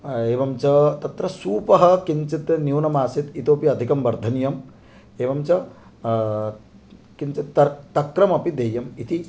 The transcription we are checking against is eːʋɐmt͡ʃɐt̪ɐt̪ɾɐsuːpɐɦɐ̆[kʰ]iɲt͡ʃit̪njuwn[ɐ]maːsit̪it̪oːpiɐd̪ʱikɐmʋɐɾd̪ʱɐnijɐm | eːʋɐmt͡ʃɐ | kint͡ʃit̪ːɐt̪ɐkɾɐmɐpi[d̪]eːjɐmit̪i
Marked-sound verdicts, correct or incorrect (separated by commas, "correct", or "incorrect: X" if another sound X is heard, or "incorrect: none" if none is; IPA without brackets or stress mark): incorrect: k, correct, correct